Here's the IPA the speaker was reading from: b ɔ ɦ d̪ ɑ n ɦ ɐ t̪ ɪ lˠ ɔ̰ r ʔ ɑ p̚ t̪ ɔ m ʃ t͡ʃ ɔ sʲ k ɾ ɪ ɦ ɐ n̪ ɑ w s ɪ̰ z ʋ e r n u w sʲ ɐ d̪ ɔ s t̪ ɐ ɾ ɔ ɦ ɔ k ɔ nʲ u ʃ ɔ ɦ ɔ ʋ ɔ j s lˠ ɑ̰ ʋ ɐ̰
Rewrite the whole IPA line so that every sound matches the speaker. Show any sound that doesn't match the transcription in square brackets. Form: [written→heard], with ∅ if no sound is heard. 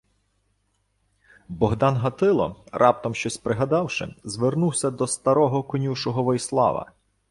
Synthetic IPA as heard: b ɔ ɦ d̪ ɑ n ɦ ɐ t̪ ɪ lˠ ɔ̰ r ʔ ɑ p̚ t̪ ɔ m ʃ t͡ʃ ɔ sʲ [k→p] ɾ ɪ ɦ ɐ [n̪→d̪] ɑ w [s→ʃ] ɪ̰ z ʋ e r n u w sʲ ɐ d̪ ɔ s t̪ ɐ ɾ ɔ ɦ ɔ k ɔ nʲ u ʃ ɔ ɦ ɔ ʋ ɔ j s lˠ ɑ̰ ʋ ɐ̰